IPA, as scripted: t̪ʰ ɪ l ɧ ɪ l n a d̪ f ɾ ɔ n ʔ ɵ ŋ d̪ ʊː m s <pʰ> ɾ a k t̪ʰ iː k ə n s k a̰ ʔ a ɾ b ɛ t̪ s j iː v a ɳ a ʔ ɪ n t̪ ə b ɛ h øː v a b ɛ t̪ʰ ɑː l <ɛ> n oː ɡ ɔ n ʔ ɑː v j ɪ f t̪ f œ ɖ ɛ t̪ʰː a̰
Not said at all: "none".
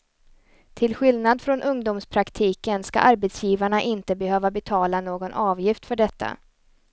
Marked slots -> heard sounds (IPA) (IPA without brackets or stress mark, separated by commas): pʰ, a